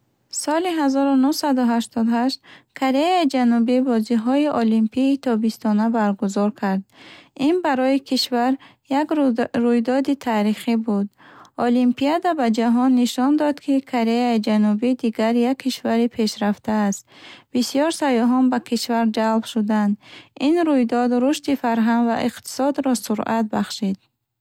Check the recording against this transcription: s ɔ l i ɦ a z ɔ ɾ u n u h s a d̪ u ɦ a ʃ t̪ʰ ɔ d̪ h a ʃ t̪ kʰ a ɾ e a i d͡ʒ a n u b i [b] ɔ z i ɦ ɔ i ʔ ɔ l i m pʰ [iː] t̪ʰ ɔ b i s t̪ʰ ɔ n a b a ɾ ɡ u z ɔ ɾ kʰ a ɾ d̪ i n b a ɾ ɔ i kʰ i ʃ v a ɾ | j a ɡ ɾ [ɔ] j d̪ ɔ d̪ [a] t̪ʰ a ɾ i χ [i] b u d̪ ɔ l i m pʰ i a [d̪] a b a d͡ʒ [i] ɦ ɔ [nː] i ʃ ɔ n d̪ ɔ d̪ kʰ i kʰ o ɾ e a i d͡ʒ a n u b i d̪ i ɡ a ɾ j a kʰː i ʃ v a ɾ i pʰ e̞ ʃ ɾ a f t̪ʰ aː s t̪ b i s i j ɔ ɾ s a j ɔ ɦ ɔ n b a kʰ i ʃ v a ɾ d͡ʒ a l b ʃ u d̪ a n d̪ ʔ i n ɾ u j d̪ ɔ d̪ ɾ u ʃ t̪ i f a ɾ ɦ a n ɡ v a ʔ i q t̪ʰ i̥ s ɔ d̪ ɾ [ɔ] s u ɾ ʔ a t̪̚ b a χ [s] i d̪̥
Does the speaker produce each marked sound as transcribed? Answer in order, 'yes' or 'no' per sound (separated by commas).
yes, yes, no, no, yes, yes, no, yes, yes, no